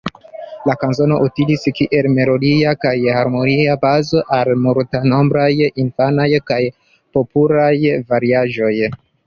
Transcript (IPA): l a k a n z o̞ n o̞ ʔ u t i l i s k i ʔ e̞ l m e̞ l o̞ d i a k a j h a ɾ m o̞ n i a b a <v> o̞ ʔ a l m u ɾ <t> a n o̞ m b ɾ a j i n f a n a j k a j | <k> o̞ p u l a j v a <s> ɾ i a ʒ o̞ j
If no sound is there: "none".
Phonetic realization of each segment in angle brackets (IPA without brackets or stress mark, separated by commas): z, t, p, none